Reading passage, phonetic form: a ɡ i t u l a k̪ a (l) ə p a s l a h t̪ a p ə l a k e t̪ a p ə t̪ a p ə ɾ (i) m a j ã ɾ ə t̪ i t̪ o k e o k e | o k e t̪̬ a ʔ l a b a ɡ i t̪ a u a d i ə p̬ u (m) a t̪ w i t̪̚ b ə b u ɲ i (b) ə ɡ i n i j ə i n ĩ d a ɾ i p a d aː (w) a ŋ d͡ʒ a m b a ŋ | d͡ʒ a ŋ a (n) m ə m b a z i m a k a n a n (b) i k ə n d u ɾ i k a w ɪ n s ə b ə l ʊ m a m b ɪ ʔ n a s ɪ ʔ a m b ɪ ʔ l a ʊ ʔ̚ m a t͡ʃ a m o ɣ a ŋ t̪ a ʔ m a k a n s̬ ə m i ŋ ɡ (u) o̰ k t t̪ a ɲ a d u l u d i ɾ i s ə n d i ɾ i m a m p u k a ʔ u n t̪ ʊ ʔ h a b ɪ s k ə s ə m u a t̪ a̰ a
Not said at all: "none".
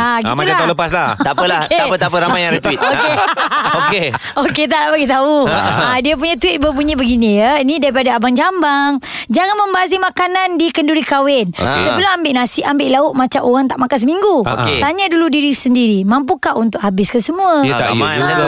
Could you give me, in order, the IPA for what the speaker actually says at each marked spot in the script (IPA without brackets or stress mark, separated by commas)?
l, a, ɲ, b, b, n, d, u